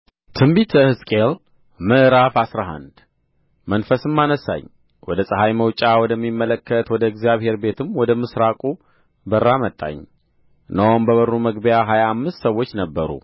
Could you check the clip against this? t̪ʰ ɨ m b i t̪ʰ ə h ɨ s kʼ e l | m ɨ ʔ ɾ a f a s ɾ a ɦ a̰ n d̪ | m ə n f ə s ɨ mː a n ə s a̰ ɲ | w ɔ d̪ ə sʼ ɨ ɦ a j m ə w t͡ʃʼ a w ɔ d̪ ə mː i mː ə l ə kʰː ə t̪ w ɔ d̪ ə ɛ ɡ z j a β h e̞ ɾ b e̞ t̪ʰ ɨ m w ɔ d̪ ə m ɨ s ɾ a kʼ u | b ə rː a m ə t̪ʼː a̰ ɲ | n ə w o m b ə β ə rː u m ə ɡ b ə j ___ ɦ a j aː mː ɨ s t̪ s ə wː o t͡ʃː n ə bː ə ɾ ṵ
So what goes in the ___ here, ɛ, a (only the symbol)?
a